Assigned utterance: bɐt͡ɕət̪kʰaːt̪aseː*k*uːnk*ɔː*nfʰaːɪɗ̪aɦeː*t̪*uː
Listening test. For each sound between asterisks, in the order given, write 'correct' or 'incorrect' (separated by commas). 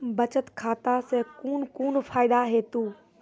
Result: correct, incorrect, correct